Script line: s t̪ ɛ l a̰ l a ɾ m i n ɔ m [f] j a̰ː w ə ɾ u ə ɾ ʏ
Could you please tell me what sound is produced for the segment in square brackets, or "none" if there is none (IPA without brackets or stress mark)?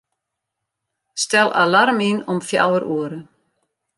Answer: f